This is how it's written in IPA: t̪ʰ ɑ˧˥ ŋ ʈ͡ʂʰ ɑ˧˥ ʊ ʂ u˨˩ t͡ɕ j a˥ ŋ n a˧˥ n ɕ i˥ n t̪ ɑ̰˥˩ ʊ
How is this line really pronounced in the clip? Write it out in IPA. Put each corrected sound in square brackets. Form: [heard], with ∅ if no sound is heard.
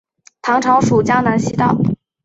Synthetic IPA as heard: t̪ʰ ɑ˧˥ ŋ ʈ͡ʂʰ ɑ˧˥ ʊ ʂ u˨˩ t͡ɕ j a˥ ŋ n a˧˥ n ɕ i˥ [∅] t̪ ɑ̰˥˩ ʊ

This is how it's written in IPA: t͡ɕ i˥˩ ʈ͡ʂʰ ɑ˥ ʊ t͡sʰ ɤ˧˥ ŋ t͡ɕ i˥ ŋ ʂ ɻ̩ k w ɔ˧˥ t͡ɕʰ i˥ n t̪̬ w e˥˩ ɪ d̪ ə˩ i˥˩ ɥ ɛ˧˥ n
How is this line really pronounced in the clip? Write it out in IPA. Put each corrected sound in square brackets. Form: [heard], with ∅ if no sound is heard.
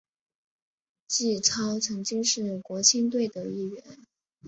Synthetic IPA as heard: t͡ɕ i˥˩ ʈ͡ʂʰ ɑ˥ ʊ t͡sʰ ɤ˧˥ ŋ t͡ɕ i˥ ŋ ʂ ɻ̩ k w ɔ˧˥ t͡ɕʰ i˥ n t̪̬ w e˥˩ ɪ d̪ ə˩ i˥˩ ɥ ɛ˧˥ n

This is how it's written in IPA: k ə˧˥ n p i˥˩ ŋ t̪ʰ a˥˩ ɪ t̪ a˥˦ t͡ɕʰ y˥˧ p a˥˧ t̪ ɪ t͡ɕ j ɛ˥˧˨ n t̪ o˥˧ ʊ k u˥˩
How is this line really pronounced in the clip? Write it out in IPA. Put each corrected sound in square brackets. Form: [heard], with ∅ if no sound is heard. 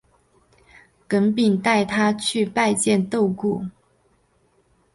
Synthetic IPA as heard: k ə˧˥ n p [i˨˩] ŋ [t̪] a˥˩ ɪ [t̪ʰ] a˥˦ t͡ɕʰ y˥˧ p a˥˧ [∅] ɪ t͡ɕ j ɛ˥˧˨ n t̪ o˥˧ ʊ k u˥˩

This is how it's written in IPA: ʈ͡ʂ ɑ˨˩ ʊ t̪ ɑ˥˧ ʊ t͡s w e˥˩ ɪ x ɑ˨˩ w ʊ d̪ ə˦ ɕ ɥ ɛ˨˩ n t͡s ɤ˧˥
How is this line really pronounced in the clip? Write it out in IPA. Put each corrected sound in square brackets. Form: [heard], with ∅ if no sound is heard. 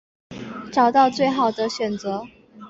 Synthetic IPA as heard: ʈ͡ʂ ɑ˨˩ ʊ t̪ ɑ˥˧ ʊ t͡s w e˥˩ ɪ x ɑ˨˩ [∅] ʊ d̪ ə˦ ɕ ɥ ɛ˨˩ n t͡s ɤ˧˥

